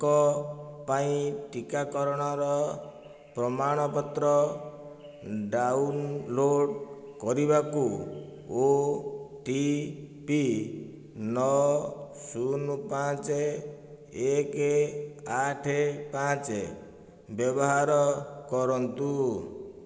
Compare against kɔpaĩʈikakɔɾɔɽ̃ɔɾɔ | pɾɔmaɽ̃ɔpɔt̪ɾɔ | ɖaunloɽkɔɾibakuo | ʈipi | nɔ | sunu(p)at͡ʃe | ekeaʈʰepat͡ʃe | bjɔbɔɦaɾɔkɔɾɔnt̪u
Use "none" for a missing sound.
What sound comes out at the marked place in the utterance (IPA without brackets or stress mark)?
p